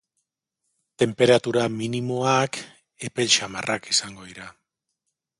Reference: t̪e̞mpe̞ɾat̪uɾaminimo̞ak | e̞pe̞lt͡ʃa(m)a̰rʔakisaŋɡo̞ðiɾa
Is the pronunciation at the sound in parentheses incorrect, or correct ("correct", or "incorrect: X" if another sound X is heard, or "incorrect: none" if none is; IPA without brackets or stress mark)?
correct